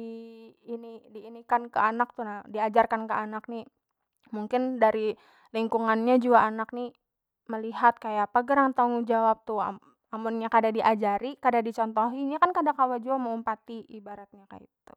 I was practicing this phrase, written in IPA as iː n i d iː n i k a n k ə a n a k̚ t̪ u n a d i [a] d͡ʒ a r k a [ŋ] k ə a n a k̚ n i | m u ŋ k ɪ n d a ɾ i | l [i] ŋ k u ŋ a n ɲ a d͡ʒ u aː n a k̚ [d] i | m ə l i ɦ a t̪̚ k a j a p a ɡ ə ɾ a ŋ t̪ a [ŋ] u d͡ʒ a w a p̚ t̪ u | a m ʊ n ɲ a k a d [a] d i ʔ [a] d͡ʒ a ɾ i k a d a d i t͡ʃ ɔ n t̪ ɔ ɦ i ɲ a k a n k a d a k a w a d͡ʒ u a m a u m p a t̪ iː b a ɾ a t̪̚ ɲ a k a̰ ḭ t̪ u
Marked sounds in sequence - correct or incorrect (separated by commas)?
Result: correct, incorrect, correct, incorrect, correct, correct, correct